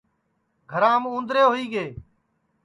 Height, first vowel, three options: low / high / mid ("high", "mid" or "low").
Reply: mid